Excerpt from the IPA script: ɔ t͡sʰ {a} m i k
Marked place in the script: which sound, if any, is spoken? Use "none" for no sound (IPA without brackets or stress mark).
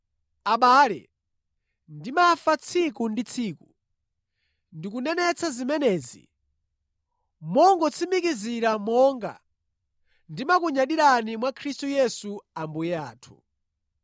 i